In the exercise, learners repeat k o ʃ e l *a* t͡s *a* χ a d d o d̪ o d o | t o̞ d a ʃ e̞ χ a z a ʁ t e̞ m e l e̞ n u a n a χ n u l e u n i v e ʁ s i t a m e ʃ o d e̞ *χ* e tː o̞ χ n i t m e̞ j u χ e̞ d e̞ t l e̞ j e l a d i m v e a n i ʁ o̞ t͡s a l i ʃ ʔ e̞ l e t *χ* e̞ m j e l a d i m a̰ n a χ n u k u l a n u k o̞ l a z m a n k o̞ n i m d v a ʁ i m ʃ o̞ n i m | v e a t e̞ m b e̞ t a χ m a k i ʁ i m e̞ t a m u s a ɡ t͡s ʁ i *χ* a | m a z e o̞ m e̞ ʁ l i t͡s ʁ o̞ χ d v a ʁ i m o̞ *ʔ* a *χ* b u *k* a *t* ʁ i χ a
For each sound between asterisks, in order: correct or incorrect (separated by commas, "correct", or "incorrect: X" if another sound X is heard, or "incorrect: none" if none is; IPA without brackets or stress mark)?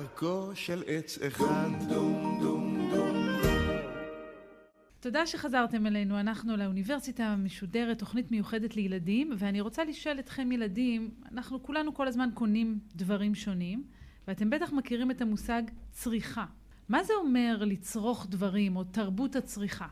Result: incorrect: e, incorrect: e, incorrect: ʁ, correct, correct, incorrect: t, incorrect: ʁ, incorrect: t, incorrect: t͡s